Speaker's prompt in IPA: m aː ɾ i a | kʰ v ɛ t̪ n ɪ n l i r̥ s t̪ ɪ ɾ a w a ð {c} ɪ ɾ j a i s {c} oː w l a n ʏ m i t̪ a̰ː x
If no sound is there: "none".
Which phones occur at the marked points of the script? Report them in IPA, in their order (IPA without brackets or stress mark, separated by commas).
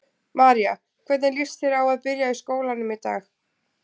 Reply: p, k